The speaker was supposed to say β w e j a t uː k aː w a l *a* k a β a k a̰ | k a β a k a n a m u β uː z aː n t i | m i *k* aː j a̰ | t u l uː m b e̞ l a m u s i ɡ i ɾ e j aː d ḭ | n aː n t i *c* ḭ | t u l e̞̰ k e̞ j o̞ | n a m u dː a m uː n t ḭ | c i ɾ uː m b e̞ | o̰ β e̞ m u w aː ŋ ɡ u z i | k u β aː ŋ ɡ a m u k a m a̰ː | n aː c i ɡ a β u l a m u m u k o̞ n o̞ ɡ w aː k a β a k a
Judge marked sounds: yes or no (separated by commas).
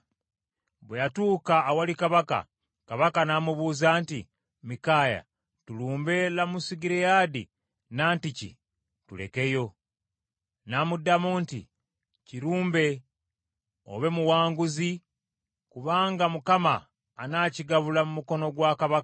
no, yes, yes